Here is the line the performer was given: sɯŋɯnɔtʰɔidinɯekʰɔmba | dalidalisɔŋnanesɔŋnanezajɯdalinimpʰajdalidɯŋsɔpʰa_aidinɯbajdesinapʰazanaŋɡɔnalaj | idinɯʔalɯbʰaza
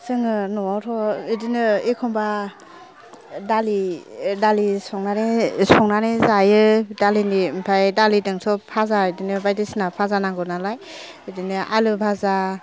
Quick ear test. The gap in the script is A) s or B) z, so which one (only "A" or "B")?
B